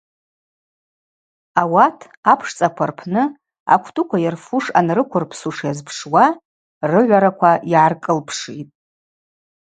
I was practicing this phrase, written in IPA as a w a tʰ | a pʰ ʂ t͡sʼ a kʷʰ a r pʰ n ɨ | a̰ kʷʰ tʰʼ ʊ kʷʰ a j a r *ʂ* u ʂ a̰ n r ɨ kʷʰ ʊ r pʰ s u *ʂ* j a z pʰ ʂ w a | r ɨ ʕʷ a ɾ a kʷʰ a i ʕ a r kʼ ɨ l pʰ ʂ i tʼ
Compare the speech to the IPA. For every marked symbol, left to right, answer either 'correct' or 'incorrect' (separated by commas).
incorrect, correct